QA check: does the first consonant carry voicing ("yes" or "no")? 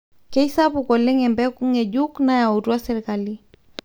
no